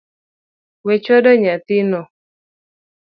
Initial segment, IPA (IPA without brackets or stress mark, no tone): w